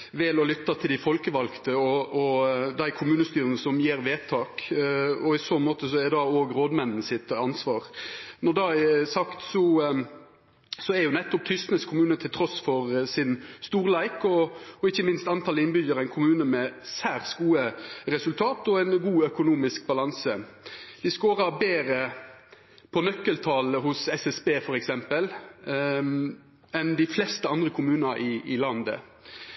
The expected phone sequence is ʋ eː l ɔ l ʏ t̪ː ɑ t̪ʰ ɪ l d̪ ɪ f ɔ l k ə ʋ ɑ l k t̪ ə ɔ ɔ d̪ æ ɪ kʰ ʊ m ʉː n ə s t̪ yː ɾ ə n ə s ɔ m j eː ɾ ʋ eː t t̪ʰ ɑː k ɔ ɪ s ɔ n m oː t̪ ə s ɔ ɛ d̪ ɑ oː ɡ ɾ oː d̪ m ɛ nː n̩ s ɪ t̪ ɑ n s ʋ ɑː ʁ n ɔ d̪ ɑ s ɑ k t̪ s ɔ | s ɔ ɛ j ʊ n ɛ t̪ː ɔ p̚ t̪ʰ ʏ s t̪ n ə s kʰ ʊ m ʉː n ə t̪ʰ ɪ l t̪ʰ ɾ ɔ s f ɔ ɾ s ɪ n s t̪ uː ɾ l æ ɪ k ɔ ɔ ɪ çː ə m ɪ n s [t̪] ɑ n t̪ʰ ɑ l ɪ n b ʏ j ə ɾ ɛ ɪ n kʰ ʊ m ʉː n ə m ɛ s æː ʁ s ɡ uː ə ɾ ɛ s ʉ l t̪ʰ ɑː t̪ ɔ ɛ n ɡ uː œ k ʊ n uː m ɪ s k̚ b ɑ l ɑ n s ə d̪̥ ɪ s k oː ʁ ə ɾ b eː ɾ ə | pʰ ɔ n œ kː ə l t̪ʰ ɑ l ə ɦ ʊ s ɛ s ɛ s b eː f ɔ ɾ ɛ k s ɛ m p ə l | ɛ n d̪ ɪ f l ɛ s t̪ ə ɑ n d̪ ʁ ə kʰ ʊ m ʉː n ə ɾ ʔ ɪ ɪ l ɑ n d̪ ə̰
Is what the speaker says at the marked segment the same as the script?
yes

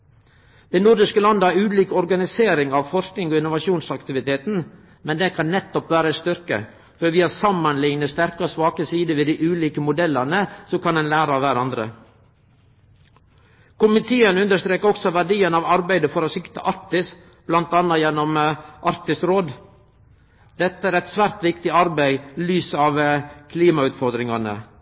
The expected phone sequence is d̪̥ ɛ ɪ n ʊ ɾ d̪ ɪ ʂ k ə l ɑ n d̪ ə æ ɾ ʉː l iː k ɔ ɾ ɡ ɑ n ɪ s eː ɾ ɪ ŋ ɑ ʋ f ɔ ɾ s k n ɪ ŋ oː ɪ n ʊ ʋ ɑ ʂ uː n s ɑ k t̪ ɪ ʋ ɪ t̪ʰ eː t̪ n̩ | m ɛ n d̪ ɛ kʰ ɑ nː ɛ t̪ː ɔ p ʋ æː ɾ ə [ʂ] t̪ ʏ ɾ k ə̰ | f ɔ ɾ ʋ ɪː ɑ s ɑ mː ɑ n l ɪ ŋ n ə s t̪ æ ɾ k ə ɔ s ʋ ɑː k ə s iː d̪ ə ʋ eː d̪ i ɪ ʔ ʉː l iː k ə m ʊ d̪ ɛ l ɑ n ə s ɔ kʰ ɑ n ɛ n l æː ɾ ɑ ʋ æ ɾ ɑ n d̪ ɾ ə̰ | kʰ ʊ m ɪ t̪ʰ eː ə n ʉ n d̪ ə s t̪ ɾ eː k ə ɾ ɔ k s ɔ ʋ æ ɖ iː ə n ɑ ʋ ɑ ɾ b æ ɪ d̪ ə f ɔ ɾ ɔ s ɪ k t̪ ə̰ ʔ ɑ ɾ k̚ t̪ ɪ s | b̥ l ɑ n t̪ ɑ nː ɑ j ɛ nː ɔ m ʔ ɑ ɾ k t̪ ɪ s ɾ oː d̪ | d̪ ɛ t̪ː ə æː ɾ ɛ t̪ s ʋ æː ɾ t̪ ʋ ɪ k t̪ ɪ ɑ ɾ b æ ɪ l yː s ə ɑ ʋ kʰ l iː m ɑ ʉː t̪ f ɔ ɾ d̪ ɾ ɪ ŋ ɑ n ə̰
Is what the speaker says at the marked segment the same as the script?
no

